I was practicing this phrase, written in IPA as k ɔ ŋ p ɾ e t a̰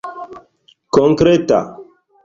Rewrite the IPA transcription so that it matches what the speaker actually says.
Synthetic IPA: k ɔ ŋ k ɾ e t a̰